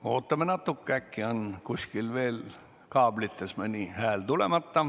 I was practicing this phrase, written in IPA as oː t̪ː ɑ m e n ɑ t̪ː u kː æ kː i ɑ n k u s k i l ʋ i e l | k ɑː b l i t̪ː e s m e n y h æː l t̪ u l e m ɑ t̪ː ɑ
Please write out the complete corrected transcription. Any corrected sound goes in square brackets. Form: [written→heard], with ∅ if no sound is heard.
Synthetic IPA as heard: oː t̪ː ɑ m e n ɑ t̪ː u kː æ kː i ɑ n k u s k i l ʋ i e l | k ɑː b l i t̪ː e s m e n [y→i] h æː l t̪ u l e m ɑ t̪ː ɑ